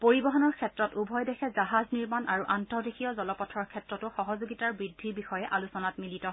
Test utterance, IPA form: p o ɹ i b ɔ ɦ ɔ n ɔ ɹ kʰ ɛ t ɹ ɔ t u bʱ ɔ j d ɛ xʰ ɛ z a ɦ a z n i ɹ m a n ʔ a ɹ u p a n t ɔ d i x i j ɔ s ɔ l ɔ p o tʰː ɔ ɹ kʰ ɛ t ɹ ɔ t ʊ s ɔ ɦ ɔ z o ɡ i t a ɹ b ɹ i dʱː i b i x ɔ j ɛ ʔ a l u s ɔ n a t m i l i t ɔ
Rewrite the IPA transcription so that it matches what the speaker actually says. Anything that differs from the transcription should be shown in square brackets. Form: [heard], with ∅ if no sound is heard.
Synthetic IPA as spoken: p o ɹ i b ɔ ɦ ɔ n ɔ ɹ kʰ ɛ t ɹ ɔ t u bʱ ɔ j d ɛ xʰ ɛ z a ɦ a z n i ɹ m a n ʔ a ɹ u [ʔ] a n t ɔ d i x i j ɔ [z] ɔ l ɔ p [ɔ] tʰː ɔ ɹ kʰ ɛ t ɹ ɔ t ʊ [x] ɔ ɦ ɔ z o ɡ i t a ɹ b ɹ i dʱː i b i x ɔ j ɛ ʔ a l u s ɔ n a t m i l i t ɔ

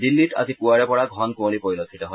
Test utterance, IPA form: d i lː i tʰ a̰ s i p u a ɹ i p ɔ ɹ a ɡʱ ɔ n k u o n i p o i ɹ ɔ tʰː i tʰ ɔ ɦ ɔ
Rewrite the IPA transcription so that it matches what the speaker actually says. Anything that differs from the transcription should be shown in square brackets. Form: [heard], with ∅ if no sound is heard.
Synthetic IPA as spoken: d i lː i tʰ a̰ [z] i p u a ɹ [ɛ] p ɔ ɹ a ɡʱ ɔ n k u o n i p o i [l] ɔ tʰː i [t] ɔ ɦ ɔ

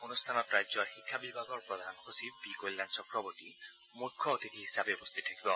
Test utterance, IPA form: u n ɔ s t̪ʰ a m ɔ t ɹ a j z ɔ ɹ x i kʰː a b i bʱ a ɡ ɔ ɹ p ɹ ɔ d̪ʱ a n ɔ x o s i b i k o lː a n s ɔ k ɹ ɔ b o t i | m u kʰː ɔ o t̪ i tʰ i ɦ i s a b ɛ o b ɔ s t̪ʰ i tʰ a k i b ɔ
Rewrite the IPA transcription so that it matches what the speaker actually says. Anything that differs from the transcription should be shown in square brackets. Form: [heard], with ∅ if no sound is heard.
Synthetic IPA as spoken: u n [u] s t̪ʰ a [n] ɔ t ɹ a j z ɔ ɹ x i kʰː a b i bʱ a ɡ ɔ ɹ p ɹ ɔ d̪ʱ a n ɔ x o s i b i k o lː a n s ɔ k ɹ ɔ b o t i | m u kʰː ɔ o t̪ i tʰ i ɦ i s a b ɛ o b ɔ s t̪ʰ i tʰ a k i b ɔ

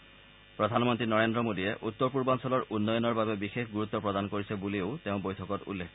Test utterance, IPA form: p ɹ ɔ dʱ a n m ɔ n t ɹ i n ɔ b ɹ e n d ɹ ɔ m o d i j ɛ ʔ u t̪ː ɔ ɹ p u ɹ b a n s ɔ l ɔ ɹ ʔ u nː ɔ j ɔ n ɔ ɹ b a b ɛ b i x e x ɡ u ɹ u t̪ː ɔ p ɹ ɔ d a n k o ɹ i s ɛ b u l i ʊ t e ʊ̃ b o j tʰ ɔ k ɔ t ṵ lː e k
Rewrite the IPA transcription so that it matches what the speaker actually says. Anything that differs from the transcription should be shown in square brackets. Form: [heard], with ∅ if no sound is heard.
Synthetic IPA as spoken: p ɹ ɔ dʱ a n m ɔ n t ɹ i n ɔ [∅] ɹ e n d ɹ ɔ m o d i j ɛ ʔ u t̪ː ɔ ɹ p u ɹ b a n s ɔ l ɔ ɹ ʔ u nː ɔ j ɔ n ɔ ɹ b a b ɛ b i x e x ɡ u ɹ u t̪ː ɔ p ɹ ɔ d a n k o ɹ i s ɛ b u l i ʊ t e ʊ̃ b o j tʰ ɔ k ɔ t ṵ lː e k

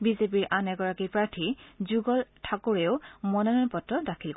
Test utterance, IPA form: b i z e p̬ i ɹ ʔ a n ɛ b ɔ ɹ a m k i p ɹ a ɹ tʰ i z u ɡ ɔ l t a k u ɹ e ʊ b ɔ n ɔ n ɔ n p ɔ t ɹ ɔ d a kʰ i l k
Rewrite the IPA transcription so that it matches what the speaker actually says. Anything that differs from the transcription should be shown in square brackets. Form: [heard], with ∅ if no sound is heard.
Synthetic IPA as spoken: b i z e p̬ i ɹ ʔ a n ɛ [ɡ] ɔ ɹ a [∅] k i p ɹ a ɹ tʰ i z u ɡ ɔ l [tʰ] a k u ɹ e ʊ [m] ɔ n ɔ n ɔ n p ɔ t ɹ ɔ d a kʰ i l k

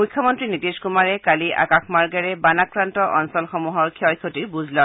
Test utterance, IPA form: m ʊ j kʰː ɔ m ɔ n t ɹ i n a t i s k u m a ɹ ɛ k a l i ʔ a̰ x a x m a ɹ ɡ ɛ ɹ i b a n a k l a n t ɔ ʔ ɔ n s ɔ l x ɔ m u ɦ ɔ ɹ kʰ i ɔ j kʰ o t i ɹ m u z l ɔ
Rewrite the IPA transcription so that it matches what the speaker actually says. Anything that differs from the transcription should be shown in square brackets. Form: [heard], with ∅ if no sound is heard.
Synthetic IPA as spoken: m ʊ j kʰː ɔ m ɔ n t ɹ i n [i] t i s k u m a ɹ ɛ k a l i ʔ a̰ [k] a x m a ɹ ɡ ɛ ɹ [ɛ] b a n a k [ɹ] a n t ɔ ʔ ɔ n s ɔ l x ɔ m u ɦ ɔ ɹ kʰ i ɔ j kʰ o t i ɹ [b] u z l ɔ

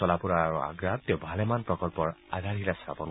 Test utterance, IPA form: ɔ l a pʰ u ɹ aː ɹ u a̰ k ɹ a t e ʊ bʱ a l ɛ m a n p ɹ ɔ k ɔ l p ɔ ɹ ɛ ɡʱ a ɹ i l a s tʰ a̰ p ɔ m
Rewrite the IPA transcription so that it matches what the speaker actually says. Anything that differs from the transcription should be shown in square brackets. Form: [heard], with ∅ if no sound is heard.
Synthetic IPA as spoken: ɔ l a [p] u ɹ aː ɹ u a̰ [ɡ] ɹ a t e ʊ bʱ a l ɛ m a n p ɹ ɔ k ɔ l p ɔ ɹ [a] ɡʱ a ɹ i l a s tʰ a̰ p ɔ [n]

